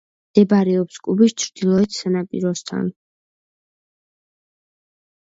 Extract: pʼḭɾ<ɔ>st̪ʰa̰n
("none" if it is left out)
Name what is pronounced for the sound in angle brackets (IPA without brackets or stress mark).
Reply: ɔ